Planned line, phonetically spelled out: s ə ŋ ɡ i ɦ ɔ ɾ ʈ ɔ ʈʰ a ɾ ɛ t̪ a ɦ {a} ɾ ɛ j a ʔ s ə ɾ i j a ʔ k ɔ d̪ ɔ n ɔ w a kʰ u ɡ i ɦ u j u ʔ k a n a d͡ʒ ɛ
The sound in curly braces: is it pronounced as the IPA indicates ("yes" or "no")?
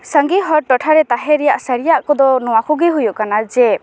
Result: no